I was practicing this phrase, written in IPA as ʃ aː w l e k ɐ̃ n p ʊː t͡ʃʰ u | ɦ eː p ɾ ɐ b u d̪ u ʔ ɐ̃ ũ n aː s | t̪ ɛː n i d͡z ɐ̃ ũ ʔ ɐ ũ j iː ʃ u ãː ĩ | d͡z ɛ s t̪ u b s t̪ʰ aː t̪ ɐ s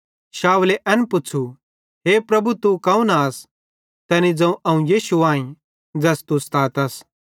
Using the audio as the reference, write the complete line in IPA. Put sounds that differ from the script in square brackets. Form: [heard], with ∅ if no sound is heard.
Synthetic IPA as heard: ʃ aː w l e [ʔ] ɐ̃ n p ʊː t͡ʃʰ u | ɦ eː p ɾ ɐ b u [t̪] u [k] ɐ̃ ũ n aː s | t̪ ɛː n i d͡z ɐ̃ ũ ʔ ɐ ũ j iː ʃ u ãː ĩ | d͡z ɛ s t̪ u [∅] s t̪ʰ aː t̪ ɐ s

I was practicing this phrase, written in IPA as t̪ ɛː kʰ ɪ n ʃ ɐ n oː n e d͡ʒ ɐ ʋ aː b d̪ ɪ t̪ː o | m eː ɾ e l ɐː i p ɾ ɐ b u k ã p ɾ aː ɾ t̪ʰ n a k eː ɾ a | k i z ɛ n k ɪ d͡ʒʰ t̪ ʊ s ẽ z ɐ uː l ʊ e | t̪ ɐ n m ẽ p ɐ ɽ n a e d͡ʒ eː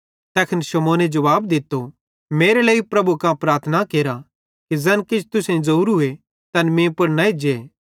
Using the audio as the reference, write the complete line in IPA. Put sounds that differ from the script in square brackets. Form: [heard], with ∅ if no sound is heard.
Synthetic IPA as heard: t̪ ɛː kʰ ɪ n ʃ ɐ [m] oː n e d͡ʒ ɐ ʋ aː b d̪ ɪ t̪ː o | m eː ɾ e l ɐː i p ɾ ɐ b u k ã p ɾ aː ɾ t̪ʰ n a k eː ɾ a | k i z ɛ n k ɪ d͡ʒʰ t̪ ʊ s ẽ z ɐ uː [ɾ] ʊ e | t̪ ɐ n m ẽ p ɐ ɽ n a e d͡ʒ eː

